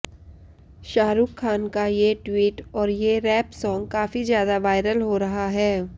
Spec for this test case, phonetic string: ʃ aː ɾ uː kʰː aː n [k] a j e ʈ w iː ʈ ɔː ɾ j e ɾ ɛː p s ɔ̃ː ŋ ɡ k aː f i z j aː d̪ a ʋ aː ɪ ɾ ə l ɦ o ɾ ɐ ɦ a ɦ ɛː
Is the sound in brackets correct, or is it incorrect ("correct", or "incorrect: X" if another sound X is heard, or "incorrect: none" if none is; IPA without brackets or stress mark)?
correct